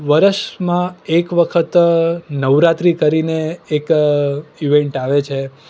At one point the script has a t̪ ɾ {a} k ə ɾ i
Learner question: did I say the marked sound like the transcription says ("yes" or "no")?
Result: no